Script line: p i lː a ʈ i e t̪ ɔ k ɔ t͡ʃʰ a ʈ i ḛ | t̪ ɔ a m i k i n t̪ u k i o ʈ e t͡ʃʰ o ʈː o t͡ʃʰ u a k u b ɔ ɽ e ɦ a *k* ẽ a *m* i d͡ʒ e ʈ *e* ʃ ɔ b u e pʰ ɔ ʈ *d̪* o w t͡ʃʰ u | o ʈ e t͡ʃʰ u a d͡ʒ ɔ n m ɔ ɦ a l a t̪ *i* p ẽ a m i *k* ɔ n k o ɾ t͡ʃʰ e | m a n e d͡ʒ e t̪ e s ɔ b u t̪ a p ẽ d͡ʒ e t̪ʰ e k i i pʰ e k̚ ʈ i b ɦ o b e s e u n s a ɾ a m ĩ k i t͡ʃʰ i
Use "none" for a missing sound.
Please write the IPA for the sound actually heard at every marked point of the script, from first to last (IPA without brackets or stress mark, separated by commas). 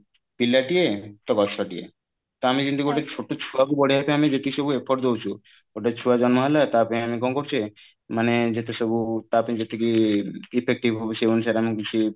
p, m, i, d̪, a, k